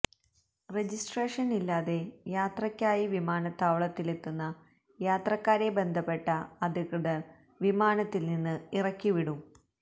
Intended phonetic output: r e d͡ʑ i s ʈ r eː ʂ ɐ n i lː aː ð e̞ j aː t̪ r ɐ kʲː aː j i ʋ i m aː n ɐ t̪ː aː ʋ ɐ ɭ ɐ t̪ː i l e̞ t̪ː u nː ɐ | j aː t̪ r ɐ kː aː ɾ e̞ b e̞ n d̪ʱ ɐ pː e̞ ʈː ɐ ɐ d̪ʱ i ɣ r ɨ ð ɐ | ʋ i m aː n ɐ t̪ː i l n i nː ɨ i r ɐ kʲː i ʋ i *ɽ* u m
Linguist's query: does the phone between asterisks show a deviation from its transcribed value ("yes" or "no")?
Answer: no